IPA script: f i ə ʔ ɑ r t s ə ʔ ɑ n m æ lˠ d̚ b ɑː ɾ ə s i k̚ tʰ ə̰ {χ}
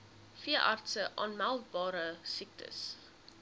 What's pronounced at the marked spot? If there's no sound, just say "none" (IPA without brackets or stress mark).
s